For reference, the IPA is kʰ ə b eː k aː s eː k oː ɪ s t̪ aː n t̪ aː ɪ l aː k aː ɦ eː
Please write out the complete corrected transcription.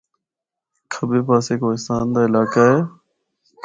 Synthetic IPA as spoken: kʰ ə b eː p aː s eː k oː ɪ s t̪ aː n d̪ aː ɪ l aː k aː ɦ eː